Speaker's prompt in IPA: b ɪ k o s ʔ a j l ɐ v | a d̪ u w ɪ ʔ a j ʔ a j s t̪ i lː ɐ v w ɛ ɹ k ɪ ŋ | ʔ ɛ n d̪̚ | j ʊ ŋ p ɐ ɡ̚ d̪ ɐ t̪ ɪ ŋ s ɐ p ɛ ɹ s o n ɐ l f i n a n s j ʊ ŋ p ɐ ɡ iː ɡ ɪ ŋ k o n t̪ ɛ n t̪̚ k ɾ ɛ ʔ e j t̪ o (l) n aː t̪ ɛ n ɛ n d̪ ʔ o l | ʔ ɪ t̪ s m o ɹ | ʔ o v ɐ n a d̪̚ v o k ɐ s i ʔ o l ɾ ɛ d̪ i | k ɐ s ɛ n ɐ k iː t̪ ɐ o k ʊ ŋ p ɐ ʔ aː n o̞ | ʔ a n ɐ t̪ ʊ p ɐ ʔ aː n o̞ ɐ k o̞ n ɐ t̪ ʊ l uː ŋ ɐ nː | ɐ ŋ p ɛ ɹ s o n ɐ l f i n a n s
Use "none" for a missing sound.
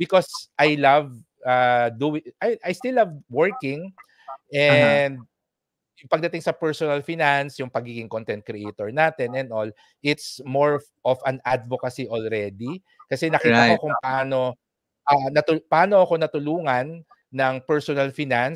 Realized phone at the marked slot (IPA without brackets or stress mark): ɹ